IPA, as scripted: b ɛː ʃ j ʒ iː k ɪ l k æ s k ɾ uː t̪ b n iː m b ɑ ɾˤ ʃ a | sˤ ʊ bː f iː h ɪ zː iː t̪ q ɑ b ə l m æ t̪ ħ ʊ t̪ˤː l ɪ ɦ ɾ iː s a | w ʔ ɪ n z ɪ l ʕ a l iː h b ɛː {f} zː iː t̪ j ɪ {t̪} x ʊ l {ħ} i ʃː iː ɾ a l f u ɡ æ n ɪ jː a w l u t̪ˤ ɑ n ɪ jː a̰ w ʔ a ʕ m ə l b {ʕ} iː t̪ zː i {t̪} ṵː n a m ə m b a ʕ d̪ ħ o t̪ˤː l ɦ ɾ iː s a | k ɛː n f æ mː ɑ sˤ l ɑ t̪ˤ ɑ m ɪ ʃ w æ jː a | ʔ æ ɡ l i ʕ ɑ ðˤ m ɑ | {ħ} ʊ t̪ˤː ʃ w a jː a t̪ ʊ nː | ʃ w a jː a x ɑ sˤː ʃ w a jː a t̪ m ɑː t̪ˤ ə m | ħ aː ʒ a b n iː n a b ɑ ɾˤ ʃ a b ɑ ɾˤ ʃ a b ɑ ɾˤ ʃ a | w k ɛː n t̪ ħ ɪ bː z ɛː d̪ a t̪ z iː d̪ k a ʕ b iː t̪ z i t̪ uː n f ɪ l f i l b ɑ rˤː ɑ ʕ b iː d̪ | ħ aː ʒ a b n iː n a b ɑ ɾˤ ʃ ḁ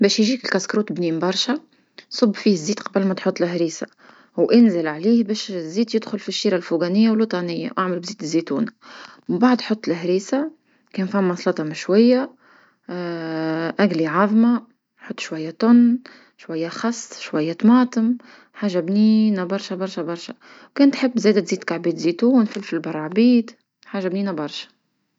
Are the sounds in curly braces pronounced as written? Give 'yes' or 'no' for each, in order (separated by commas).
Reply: no, no, no, no, yes, yes